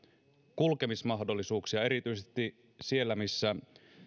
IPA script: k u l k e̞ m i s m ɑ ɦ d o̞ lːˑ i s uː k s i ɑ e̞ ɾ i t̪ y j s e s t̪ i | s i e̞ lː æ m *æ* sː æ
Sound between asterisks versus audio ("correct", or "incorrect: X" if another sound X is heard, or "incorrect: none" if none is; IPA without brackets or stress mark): incorrect: i